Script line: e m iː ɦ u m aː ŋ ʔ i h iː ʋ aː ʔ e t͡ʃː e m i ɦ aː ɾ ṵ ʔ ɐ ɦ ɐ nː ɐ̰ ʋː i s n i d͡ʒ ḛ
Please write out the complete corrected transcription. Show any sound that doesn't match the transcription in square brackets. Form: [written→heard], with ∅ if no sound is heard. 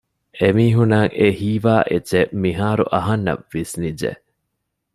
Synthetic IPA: e m iː ɦ u [m→n] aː ŋ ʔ [i→e] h iː ʋ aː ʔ e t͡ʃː e m i ɦ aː ɾ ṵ ʔ ɐ ɦ ɐ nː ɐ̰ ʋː i s n i d͡ʒ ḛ